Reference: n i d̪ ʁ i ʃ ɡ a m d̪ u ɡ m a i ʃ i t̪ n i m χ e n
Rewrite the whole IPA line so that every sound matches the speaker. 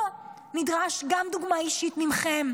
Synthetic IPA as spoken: n i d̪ ʁ a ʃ ɡ a m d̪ u ɡ m a i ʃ i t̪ m i m χ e m